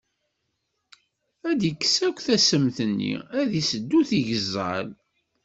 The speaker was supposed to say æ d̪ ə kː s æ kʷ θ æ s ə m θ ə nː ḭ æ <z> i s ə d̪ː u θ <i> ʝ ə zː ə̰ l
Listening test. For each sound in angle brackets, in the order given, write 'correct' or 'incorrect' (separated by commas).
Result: incorrect, correct